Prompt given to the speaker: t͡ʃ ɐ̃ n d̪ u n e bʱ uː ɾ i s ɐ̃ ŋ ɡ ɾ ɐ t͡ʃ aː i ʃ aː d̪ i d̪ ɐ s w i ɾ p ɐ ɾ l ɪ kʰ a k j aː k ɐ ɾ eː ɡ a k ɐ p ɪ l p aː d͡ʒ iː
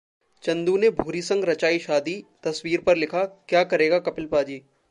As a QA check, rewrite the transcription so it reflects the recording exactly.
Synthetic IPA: t͡ʃ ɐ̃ n d̪ u n e bʱ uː ɾ i s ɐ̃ ŋ ɡ ɾ ɐ t͡ʃ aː i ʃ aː d̪ i t̪ ɐ s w iː ɾ p ɐ ɾ l ɪ kʰ a k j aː k ɐ ɾ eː ɡ a k ɐ p ɪ l p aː d͡ʒ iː